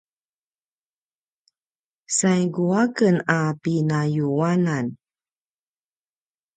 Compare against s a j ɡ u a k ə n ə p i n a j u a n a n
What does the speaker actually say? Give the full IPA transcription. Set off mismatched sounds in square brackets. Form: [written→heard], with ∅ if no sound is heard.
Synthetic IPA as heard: s a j ɡ u a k ə n [ə→a] p i n a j u a n a n